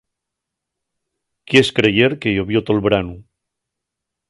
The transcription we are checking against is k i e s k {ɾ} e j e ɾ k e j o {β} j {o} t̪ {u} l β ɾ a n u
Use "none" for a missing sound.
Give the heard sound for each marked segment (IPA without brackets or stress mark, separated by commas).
ɾ, β, o, o